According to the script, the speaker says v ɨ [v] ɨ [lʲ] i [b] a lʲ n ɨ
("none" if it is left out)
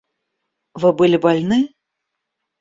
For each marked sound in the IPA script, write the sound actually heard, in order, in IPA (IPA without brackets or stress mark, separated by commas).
b, lʲ, b